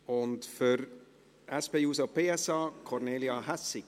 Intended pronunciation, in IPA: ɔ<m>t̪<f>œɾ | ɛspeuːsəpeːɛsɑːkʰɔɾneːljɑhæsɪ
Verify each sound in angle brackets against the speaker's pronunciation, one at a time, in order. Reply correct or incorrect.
incorrect: n, correct

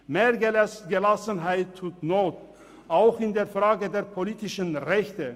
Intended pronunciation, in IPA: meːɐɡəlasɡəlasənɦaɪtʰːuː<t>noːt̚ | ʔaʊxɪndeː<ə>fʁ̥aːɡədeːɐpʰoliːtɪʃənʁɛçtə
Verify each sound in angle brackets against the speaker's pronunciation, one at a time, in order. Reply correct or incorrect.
correct, incorrect: ɐ

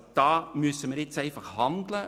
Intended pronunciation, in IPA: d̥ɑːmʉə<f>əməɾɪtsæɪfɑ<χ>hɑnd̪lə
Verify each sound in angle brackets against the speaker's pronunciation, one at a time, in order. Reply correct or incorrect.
incorrect: s, correct

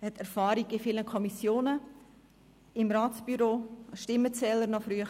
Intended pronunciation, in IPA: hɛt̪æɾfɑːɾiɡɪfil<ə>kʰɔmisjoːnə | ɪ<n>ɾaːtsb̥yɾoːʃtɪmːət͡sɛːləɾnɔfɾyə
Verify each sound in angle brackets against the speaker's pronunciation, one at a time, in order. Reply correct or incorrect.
correct, incorrect: m

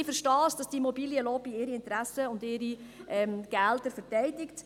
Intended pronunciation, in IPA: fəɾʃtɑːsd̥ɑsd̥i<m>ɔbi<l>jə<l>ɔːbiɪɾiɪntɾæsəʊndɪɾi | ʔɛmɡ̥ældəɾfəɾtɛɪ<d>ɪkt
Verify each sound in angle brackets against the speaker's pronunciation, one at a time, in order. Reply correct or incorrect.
correct, correct, correct, correct

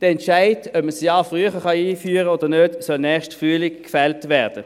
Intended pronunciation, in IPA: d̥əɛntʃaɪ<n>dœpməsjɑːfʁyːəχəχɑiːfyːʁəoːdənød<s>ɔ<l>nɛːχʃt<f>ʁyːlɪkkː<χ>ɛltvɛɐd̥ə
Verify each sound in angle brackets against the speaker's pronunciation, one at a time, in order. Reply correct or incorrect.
incorrect: none, correct, correct, correct, incorrect: f

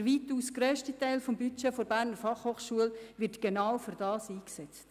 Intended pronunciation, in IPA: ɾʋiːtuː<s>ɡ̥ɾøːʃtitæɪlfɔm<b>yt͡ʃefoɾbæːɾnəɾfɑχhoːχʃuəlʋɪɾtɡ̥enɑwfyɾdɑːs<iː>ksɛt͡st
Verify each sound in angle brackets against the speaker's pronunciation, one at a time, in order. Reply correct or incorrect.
correct, correct, correct

